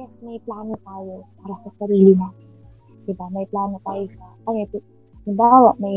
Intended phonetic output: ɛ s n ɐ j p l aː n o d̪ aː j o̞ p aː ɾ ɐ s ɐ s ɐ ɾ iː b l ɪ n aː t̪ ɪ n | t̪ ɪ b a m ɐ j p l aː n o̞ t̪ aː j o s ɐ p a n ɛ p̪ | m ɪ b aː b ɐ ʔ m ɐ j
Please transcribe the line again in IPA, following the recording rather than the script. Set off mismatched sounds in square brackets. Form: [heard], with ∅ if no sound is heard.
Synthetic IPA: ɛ s [m] ɐ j p l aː n o [t̪] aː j o̞ p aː ɾ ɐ s ɐ s ɐ ɾ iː [∅] l ɪ n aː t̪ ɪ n | [d̪] ɪ b a m ɐ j p l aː n o̞ t̪ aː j o s ɐ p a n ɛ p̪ | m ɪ b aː [w] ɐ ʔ m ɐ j